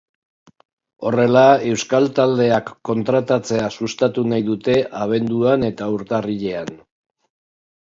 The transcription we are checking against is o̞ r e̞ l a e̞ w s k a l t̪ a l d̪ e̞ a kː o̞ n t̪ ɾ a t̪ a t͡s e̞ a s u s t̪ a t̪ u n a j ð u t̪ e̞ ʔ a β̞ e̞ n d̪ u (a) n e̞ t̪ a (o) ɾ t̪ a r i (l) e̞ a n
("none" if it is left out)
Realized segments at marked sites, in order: a, u, ʎ

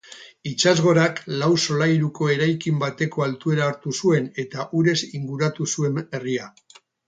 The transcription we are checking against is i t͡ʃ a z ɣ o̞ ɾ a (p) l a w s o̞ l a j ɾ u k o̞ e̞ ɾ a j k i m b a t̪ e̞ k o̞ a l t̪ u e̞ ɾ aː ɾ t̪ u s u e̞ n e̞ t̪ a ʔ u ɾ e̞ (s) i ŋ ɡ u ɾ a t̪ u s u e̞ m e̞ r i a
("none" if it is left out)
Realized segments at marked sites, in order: k, s

